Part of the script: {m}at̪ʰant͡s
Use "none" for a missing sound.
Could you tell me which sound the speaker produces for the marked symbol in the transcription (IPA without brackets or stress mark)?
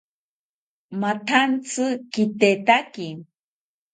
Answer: m